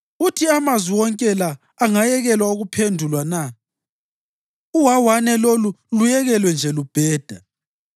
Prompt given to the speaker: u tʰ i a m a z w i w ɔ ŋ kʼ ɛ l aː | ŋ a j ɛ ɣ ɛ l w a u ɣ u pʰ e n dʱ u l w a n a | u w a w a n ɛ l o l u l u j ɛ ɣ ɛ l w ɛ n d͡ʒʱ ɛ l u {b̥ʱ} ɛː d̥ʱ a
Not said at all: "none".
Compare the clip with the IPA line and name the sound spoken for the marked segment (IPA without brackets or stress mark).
b̥ʱ